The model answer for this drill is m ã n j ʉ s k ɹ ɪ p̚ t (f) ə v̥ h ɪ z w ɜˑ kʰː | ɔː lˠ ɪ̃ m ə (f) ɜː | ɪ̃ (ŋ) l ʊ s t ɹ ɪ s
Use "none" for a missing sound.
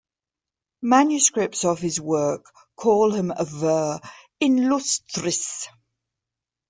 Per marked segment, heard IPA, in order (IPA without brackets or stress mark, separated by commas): s, v, n